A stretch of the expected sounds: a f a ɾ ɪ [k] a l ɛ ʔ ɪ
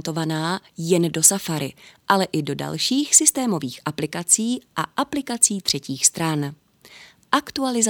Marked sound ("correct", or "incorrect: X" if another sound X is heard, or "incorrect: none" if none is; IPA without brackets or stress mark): incorrect: ʔ